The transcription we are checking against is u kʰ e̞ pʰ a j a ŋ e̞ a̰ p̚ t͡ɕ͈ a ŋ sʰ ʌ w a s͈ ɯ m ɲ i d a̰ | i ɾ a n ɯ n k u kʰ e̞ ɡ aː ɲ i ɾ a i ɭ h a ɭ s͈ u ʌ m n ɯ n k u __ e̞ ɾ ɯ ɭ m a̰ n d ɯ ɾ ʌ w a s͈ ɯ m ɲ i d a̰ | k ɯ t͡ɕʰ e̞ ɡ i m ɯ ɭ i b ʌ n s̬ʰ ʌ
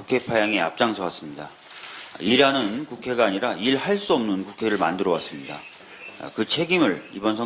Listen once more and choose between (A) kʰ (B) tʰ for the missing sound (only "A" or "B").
A